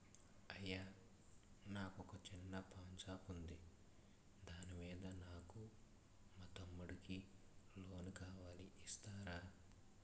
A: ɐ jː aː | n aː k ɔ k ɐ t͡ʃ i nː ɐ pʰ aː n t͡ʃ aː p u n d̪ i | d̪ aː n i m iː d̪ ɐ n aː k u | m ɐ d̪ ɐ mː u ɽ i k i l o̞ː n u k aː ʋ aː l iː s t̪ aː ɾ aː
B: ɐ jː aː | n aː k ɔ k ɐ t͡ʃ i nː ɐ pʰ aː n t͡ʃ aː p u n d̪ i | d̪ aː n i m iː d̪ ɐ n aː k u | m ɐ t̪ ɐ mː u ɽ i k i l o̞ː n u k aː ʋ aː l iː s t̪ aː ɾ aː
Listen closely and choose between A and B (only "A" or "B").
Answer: B